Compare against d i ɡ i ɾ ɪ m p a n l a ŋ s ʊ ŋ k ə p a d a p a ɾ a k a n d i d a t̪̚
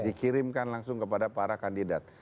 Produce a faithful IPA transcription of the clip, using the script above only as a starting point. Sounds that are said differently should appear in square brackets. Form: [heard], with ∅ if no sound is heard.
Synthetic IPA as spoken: d i [k] i ɾ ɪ m [k] a n l a ŋ s ʊ ŋ k ə p a d a p a ɾ a k a n d i d a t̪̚

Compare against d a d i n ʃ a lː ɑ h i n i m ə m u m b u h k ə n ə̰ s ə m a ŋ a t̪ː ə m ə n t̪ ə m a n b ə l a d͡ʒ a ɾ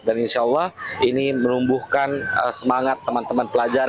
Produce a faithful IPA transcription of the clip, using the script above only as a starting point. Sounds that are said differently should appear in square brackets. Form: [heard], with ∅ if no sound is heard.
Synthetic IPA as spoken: d a [n] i n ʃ a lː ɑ h i n i m ə [n] u m b u h k [a] n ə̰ s ə m a ŋ a t̪ː ə m [a] n t̪ ə m a n [p] ə l a d͡ʒ a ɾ

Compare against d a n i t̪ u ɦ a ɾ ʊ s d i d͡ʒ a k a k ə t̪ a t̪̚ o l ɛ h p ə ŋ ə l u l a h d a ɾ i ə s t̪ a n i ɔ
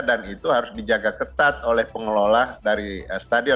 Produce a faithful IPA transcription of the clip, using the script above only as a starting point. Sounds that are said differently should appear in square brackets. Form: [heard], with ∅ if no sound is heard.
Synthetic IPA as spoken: d a n i t̪ u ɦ a ɾ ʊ s d i d͡ʒ a [ɡ] a k ə t̪ a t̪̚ o l ɛ h p ə ŋ ə l [o] l a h d a ɾ i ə s t̪ a [d] i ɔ

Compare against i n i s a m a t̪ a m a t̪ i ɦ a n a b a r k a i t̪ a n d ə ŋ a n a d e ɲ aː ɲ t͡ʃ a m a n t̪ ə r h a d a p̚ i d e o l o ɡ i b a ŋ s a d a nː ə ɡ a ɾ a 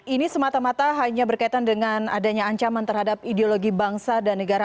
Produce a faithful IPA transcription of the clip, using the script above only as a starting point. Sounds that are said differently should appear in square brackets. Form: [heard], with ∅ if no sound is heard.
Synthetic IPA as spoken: i n i s [ə] m a t̪ a m a t̪ [a] ɦ a [ɲ] a b [ə] r k a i t̪ a n d ə ŋ a n a d [a] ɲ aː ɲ t͡ʃ a m a n t̪ ə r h a d a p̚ i d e o l o ɡ i b a ŋ s a d a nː ə ɡ a ɾ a

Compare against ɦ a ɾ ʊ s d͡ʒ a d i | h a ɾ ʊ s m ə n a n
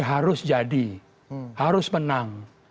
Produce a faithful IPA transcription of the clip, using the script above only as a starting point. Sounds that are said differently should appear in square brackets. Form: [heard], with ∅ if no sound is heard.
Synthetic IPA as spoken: ɦ a ɾ ʊ s d͡ʒ a d i | h a ɾ ʊ s m ə n a [ŋ]

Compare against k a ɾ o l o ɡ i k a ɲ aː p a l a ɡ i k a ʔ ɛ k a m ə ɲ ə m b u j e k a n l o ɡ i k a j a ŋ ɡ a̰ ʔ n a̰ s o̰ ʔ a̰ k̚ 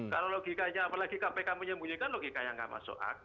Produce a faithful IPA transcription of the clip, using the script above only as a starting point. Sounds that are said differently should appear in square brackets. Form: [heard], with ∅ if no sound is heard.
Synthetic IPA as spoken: k a ɾ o l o ɡ i k a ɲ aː p a l a ɡ i k a [p] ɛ k a m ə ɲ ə m b u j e k a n l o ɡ i k a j a ŋ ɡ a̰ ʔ [m] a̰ s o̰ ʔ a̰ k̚

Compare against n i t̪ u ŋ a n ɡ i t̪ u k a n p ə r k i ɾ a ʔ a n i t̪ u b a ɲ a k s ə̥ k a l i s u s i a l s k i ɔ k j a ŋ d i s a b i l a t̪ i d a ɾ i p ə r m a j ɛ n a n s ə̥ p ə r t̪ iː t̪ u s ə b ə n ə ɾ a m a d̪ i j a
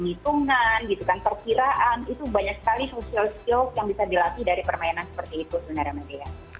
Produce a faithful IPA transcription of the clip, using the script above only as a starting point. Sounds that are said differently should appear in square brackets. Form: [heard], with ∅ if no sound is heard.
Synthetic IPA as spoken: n i t̪ u ŋ a n ɡ i t̪ u k a n p ə r k i ɾ a ʔ a n i t̪ u b a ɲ a k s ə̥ k a l i s [o] s i a l s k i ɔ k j a ŋ [b] i s a [d] i l a t̪ i d a ɾ i p ə r m a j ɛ n a n s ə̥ p ə r t̪ iː t̪ u s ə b ə n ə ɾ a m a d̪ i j a

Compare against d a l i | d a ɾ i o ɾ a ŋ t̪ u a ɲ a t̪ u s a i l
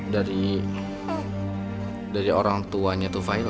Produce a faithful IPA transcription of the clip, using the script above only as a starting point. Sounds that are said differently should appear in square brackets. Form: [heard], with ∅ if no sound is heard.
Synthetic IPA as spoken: d a [ɾ] i | d a ɾ i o ɾ a ŋ t̪ u a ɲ a t̪ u [f] a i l

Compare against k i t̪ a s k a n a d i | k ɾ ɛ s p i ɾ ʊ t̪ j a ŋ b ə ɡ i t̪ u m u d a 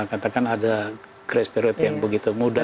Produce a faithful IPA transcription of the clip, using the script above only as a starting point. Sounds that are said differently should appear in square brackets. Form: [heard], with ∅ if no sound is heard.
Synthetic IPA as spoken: k [a] t̪ a [∅] k a n a d [a] | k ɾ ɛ s p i ɾ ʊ t̪ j a ŋ b ə ɡ i t̪ u m u d a

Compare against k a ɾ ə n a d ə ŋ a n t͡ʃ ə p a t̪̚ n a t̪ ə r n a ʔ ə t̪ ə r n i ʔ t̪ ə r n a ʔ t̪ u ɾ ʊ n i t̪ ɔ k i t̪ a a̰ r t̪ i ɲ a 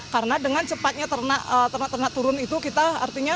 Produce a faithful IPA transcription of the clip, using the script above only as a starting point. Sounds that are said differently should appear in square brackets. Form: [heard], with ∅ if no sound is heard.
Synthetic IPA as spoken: k a ɾ ə n a d ə ŋ a n t͡ʃ ə p a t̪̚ [ɲ] a t̪ ə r n a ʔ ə t̪ ə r n [a] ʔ t̪ ə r n a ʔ t̪ u ɾ ʊ n i t̪ [u] k i t̪ a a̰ r t̪ i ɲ a

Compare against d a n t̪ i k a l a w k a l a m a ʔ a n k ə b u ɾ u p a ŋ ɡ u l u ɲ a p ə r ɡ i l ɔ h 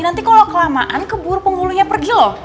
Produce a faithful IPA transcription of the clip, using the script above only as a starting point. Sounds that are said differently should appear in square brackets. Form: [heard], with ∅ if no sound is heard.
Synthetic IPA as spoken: [n] a n t̪ i k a l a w k [ə] l a m a ʔ a n k ə b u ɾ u p [ə] ŋ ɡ u l u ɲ a p ə r ɡ i l ɔ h

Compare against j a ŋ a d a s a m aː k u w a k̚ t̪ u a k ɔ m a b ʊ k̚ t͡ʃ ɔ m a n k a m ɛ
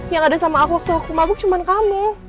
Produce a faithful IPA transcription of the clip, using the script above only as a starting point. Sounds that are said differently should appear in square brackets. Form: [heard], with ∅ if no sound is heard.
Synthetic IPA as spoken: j a ŋ a d a s a m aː k u w a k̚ t̪ u a k [u] m a b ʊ k̚ t͡ʃ [u] m a n k a m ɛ

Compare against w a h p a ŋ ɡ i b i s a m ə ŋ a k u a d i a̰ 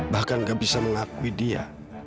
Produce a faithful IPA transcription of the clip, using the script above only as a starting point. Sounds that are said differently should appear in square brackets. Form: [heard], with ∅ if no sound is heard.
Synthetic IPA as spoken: [b] a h [k] a [n] ɡ [a] b i s a m ə ŋ a k u [i] d i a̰

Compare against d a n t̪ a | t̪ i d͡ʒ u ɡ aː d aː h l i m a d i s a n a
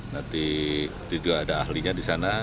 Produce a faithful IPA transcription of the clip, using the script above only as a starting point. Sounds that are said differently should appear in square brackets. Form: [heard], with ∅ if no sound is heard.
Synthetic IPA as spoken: [n] a n t̪ [i] | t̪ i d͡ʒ u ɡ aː d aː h l i [ɲ] a d i s a n a

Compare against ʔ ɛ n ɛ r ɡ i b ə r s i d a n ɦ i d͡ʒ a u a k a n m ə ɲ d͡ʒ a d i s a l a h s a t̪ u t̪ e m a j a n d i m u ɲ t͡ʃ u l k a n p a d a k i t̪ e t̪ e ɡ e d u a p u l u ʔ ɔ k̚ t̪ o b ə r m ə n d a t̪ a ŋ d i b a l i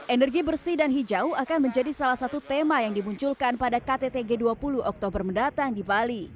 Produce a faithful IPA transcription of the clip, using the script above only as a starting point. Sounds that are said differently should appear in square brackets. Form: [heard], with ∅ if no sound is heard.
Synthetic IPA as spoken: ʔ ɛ n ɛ r ɡ i b ə r s i d a n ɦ i d͡ʒ a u a k a n m ə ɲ d͡ʒ a d i s a l a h s a t̪ u t̪ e m a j a [ŋ] d i m u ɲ t͡ʃ u l k a n p a d a k [a] t̪ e t̪ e ɡ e d u a p u l u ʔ ɔ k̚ t̪ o b ə r m ə n d a t̪ a ŋ d i b a l i

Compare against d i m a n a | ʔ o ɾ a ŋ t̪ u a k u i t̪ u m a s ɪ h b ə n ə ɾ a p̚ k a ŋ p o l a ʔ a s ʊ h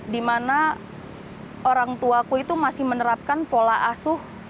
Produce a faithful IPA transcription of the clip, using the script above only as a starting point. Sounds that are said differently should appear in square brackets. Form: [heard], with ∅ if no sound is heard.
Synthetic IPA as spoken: d i m a n a | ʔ o ɾ a ŋ t̪ u a k u i t̪ u m a s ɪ h [m] ə n ə ɾ a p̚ k a [n] p o l a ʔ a s ʊ h

